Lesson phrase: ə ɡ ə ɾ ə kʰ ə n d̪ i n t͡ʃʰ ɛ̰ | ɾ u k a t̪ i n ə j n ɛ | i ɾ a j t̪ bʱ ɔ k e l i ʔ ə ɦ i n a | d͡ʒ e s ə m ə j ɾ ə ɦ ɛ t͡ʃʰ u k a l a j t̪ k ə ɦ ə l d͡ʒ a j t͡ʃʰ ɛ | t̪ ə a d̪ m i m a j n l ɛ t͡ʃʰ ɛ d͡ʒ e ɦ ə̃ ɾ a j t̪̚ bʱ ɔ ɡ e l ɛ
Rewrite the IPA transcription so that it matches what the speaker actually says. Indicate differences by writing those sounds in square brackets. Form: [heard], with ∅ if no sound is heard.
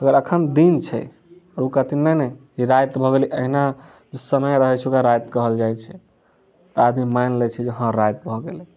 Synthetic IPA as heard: ə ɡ ə ɾ ə kʰ ə n d̪ i n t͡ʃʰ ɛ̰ | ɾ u k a t̪ i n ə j n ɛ | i ɾ a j t̪ bʱ ɔ [ɡ] e l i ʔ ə ɦ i n a | d͡ʒ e s ə m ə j ɾ ə ɦ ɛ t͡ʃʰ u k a [ɾ] a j t̪ k ə ɦ ə l d͡ʒ a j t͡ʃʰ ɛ | t̪ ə a d̪ m i m a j n l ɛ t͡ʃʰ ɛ d͡ʒ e ɦ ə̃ ɾ a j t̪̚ bʱ ɔ ɡ e l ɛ